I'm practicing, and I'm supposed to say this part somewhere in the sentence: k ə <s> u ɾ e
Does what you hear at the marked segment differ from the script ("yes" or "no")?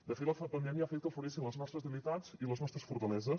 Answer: yes